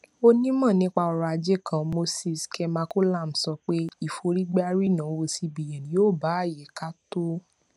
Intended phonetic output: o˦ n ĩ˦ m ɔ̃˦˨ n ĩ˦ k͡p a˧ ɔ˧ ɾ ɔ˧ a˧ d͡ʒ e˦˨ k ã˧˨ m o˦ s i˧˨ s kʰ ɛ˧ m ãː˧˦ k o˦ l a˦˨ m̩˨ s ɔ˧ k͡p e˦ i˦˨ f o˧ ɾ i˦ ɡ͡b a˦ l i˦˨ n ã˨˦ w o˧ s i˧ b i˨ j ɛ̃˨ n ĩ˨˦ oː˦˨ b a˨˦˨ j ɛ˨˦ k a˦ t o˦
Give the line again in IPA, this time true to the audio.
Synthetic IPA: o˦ n ĩ˦ m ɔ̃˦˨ n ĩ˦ k͡p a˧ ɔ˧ ɾ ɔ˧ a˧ d͡ʒ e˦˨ k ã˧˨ m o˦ s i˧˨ s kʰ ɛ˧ m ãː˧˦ k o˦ l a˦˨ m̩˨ s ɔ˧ k͡p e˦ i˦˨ f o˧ ɾ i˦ ɡ͡b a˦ ɾ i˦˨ n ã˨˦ w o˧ s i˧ b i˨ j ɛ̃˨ n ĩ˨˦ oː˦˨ b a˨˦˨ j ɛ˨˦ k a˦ t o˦